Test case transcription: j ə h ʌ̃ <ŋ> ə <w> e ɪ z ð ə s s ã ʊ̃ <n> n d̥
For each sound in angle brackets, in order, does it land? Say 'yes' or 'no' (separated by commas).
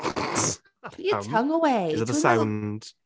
yes, yes, yes